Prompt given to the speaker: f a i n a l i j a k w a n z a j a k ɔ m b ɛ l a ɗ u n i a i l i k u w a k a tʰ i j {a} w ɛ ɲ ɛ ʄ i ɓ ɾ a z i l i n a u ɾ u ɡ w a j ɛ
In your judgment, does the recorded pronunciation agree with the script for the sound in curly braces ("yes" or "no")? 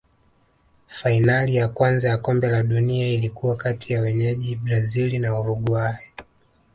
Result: yes